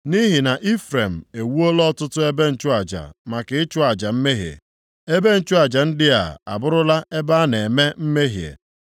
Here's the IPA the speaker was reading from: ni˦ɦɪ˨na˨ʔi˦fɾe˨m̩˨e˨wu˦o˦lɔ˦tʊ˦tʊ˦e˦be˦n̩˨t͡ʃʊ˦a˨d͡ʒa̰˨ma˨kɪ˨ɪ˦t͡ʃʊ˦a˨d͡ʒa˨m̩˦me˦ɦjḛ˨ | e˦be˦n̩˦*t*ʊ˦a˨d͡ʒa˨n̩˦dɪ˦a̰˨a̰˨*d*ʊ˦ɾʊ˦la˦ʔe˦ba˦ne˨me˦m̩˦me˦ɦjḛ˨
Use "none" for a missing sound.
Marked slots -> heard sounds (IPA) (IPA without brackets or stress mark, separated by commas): t͡ʃ, b